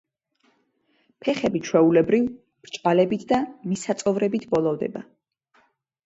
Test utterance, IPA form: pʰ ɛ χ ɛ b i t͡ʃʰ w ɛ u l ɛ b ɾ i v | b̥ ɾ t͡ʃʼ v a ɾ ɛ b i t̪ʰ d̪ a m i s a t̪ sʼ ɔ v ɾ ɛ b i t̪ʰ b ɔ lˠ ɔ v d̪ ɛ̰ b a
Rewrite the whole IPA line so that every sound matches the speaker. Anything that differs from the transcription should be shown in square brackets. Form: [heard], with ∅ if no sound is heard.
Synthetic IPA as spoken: pʰ ɛ χ ɛ b i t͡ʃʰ w ɛ u l ɛ b ɾ i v | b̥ ɾ t͡ʃʼ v a [l] ɛ b i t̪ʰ d̪ a m i s a t̪ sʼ ɔ v ɾ ɛ b i t̪ʰ b ɔ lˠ ɔ v d̪ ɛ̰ b a